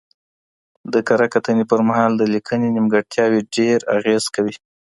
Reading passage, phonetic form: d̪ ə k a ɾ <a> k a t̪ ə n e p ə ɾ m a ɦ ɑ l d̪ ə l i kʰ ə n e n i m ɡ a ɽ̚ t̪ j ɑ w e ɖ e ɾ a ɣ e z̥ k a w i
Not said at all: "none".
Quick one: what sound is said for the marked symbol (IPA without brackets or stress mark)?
a